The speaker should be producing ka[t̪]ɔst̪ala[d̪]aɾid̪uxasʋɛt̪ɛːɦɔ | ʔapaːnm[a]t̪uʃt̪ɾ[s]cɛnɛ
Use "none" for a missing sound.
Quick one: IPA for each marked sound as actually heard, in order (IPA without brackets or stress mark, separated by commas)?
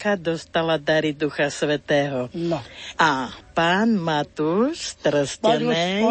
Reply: d̪, d̪, a, s